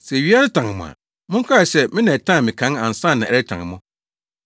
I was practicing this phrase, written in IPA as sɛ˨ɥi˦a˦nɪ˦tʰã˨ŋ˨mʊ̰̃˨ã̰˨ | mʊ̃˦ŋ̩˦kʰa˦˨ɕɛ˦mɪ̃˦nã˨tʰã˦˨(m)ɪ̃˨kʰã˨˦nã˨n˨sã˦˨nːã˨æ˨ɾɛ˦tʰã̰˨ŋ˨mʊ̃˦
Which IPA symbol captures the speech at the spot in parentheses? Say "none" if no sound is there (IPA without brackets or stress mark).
m